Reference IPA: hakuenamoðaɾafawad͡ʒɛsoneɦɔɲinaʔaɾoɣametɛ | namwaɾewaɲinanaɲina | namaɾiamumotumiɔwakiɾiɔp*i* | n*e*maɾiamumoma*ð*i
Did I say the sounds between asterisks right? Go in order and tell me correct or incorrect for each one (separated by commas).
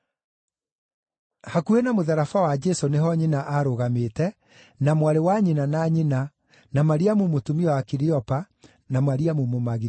incorrect, incorrect, incorrect